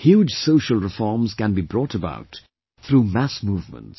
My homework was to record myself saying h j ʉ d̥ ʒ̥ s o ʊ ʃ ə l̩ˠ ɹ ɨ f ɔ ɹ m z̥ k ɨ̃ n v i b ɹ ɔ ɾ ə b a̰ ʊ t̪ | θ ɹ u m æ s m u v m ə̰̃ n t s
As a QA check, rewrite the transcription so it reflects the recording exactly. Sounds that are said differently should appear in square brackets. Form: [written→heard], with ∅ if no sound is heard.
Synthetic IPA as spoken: h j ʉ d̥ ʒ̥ s o ʊ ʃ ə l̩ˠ ɹ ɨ f ɔ ɹ m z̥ k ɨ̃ n [v→b] i b ɹ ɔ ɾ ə b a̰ ʊ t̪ | θ ɹ u m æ s m u v m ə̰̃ n t s